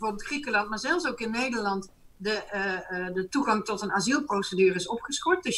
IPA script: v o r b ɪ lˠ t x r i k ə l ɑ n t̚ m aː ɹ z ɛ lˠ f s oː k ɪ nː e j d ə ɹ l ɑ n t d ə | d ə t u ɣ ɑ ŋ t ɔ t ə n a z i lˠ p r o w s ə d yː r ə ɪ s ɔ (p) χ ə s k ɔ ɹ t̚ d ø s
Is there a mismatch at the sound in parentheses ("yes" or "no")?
no